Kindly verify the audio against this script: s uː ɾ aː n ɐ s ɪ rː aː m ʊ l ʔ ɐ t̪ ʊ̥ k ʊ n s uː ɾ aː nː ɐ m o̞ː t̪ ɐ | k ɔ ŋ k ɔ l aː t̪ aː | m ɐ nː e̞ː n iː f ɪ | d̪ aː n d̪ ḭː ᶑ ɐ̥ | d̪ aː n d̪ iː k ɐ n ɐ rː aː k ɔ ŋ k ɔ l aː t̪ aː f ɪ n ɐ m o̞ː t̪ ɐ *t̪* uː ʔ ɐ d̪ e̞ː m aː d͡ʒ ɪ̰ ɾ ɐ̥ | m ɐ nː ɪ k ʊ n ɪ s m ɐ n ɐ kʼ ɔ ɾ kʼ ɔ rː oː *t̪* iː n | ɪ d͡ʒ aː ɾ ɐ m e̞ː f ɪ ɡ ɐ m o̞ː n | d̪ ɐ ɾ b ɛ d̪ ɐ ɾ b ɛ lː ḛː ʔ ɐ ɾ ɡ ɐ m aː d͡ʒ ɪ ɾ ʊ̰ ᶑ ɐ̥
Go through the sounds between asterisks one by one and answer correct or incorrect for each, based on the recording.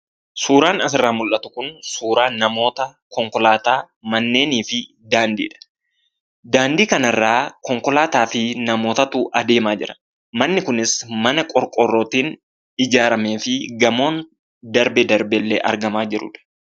correct, correct

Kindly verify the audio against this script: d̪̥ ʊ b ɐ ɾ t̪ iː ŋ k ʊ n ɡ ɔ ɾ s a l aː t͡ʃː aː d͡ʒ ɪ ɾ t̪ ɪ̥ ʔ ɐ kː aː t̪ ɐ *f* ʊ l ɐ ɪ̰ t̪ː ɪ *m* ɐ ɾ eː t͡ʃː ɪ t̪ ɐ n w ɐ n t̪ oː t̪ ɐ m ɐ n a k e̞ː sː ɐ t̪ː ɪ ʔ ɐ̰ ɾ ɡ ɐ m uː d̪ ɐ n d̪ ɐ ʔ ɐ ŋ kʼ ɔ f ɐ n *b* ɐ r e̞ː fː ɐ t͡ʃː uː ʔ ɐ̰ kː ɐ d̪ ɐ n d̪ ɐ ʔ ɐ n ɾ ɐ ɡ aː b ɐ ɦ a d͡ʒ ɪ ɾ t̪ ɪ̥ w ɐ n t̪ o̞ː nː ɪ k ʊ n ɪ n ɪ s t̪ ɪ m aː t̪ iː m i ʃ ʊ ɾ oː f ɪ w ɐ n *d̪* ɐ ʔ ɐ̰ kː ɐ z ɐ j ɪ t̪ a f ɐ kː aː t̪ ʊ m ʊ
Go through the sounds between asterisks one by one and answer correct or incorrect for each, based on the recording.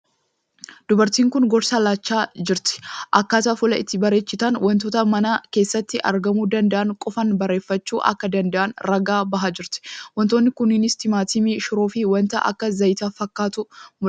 correct, incorrect, correct, incorrect

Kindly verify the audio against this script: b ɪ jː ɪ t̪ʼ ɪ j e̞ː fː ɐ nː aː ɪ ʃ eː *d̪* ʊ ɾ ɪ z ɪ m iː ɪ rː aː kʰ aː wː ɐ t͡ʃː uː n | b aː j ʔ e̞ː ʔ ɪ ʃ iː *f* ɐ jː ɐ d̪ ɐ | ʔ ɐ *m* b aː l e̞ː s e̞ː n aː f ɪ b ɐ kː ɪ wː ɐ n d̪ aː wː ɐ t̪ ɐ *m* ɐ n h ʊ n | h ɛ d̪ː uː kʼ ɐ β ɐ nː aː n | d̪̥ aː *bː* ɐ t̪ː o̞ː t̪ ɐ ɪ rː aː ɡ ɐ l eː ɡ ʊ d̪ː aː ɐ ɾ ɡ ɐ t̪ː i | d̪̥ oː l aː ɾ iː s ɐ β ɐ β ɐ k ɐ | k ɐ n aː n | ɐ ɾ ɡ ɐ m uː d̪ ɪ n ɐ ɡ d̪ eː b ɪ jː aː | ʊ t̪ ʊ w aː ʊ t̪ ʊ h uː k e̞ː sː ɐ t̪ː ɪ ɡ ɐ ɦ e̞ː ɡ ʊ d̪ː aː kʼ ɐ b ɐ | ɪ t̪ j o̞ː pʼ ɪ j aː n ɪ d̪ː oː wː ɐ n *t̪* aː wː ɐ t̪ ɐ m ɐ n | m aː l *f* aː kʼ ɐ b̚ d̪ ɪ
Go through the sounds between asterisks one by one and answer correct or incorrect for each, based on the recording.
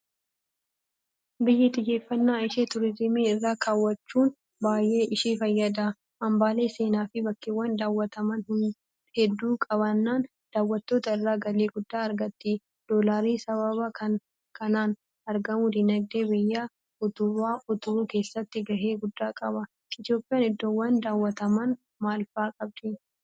incorrect, correct, correct, correct, incorrect, incorrect, correct

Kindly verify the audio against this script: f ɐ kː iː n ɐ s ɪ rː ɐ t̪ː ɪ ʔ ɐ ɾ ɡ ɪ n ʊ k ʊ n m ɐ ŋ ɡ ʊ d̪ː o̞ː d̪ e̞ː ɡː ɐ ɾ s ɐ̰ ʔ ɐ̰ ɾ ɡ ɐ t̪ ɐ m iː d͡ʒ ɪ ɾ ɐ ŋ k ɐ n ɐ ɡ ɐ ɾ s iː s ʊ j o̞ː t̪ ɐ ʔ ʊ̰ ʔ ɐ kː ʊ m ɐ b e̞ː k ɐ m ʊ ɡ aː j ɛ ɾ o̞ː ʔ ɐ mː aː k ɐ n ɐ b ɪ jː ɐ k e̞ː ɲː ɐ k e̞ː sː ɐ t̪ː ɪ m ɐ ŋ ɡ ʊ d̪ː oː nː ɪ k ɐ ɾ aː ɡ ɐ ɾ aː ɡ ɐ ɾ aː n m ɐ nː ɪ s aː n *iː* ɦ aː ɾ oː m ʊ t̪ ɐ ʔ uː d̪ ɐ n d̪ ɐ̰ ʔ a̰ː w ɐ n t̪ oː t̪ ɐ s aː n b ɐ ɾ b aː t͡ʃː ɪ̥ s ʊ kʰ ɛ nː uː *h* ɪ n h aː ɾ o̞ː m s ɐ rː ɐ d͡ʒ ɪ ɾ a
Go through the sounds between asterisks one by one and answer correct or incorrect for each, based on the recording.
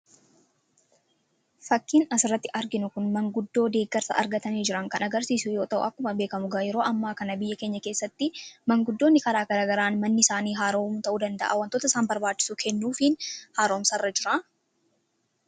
correct, incorrect

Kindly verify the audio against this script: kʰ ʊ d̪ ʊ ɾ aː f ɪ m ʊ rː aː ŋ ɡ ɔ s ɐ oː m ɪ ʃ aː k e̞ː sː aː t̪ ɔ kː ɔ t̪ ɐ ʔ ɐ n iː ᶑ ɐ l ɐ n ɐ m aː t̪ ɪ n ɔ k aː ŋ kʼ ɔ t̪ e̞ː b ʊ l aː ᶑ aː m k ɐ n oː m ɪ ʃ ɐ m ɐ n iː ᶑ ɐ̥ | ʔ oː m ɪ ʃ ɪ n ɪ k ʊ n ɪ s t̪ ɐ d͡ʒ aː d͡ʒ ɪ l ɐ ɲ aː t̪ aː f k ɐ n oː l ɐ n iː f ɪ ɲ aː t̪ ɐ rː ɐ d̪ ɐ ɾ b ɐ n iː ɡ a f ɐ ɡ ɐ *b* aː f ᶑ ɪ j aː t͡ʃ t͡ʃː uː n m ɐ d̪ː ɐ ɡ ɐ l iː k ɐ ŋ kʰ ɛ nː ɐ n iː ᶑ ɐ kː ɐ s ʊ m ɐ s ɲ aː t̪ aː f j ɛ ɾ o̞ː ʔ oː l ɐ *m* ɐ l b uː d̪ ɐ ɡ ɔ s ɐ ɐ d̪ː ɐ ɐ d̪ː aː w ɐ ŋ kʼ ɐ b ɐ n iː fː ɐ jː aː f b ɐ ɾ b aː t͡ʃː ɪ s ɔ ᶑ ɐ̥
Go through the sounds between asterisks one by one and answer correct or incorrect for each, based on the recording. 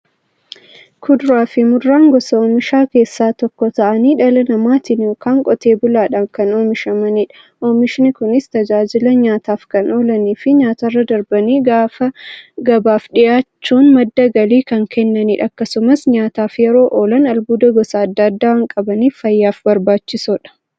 correct, incorrect

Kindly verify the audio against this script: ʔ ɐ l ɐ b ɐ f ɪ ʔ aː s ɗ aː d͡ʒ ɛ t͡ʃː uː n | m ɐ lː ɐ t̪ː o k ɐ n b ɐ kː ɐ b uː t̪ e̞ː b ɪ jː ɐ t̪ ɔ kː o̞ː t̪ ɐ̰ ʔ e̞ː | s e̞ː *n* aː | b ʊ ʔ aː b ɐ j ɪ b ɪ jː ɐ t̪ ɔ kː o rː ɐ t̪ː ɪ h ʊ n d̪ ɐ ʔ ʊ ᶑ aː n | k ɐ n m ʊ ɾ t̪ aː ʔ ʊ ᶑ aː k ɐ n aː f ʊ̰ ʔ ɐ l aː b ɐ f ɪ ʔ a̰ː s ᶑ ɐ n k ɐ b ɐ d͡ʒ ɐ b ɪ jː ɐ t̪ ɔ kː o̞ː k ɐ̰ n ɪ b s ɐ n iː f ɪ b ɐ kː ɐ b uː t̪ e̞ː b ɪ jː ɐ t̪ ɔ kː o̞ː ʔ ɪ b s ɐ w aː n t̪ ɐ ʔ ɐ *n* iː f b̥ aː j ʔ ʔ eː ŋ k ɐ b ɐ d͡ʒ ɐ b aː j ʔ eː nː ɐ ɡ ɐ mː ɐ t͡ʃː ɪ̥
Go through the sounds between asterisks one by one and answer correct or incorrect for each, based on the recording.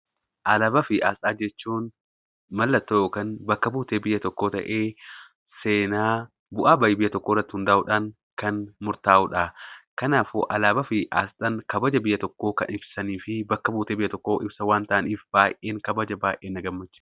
correct, correct

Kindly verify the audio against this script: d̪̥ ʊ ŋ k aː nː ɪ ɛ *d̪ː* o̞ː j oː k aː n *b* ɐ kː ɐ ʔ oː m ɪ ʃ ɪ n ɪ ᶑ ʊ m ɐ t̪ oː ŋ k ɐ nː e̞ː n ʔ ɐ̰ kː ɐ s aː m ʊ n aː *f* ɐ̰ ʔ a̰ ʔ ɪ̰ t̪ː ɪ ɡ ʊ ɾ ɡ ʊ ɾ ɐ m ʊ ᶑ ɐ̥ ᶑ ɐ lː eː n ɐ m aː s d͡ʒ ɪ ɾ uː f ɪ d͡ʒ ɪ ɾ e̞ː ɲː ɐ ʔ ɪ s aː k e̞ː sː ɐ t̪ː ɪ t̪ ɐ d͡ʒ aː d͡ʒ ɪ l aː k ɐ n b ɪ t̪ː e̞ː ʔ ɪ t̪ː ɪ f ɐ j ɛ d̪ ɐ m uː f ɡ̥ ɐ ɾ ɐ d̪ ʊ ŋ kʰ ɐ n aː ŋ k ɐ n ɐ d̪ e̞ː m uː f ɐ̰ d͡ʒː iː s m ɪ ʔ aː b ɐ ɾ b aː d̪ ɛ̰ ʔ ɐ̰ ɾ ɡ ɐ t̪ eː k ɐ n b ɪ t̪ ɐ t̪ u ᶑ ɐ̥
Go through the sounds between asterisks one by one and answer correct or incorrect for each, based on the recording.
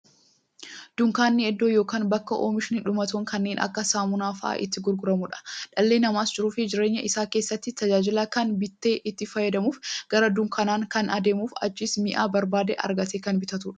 correct, correct, correct

